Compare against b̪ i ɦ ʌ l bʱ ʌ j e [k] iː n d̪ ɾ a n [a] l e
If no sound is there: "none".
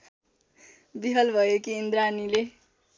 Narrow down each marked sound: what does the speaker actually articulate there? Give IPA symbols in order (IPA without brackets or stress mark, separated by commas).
k, i